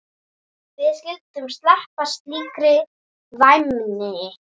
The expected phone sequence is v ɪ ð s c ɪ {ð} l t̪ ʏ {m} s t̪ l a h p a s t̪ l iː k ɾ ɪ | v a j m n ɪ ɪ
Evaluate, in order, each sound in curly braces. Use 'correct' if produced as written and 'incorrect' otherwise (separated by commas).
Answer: incorrect, correct